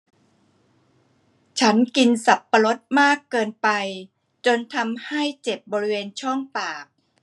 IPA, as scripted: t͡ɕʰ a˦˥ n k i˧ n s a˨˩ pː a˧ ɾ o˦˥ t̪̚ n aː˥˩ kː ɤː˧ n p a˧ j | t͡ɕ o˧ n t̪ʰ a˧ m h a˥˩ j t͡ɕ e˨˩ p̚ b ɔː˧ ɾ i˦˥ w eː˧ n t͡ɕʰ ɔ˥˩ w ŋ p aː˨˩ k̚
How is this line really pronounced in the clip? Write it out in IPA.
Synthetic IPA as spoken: t͡ɕʰ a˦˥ n k i˧ n s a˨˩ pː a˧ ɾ o˦˥ t̪̚ m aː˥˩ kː ɤː˧ n p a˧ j | t͡ɕ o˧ n t̪ʰ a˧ m h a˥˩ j t͡ɕ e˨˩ p̚ b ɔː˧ ɾ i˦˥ w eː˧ n t͡ɕʰ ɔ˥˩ ŋ p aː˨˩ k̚